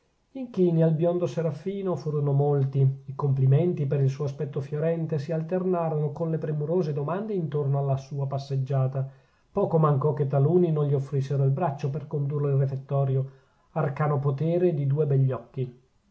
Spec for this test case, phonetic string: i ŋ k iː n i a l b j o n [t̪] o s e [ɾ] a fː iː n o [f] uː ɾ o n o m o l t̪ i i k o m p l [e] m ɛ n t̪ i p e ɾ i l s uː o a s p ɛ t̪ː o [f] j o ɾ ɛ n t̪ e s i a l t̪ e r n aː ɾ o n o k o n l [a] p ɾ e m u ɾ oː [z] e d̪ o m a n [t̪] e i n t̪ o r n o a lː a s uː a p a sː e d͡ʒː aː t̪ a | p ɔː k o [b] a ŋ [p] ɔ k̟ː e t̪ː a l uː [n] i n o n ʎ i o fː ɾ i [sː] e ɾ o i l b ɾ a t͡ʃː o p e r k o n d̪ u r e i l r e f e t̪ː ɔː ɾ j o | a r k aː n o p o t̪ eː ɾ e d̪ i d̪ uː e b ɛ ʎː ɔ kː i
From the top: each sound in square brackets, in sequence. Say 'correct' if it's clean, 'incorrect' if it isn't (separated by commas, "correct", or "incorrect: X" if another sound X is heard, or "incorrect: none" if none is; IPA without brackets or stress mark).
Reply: incorrect: d̪, correct, correct, incorrect: i, correct, incorrect: e, correct, incorrect: d̪, incorrect: m, incorrect: k, correct, correct